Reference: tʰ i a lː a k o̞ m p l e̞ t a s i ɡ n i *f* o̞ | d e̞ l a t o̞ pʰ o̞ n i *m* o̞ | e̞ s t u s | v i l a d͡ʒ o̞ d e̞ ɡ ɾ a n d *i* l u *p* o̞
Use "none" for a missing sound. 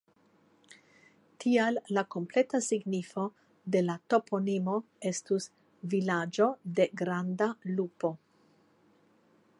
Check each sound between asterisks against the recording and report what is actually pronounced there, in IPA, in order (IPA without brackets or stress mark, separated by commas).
f, m, a, p